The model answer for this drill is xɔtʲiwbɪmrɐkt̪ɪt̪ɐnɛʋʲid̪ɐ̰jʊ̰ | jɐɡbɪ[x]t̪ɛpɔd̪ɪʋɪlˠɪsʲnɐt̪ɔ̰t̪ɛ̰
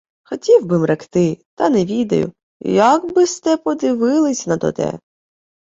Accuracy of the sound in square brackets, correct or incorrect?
incorrect